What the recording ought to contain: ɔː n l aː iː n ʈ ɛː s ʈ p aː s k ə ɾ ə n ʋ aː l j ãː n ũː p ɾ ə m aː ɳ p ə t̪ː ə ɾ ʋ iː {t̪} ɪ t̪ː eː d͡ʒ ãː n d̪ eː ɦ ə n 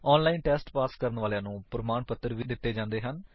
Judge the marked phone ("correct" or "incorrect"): incorrect